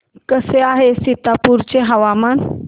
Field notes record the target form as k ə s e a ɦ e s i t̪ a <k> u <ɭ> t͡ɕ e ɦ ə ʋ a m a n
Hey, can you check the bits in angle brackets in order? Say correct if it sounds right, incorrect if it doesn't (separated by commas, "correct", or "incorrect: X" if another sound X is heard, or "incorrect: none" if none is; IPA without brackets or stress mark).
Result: incorrect: p, incorrect: ɾ